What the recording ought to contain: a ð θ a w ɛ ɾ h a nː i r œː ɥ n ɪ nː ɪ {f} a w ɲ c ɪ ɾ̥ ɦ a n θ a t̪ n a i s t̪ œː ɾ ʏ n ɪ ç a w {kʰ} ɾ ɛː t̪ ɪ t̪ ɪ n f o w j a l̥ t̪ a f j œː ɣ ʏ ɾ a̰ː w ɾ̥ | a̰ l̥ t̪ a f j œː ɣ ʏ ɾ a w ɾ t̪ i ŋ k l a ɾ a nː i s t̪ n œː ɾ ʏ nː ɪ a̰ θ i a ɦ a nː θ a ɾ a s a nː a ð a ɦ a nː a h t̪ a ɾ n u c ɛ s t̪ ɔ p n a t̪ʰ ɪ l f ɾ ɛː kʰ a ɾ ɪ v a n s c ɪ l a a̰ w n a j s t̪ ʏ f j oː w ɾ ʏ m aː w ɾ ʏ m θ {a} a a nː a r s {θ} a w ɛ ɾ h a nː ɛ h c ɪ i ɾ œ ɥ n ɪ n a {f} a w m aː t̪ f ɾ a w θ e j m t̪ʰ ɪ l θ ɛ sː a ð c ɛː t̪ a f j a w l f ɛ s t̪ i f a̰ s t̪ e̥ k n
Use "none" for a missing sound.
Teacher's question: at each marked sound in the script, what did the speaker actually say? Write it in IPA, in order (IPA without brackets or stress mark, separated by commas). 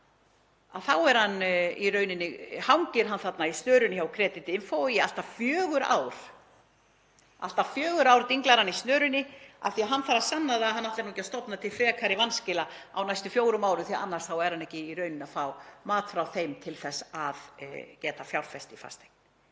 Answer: h, kʰ, i, θ, f